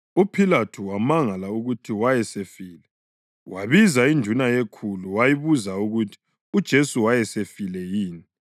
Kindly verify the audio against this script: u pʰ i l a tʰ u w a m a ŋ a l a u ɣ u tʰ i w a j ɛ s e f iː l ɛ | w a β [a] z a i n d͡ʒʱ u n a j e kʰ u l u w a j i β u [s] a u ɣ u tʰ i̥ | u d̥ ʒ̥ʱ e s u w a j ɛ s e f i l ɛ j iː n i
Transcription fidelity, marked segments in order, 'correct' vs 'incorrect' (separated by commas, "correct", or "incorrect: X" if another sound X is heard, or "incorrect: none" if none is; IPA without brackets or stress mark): incorrect: i, incorrect: z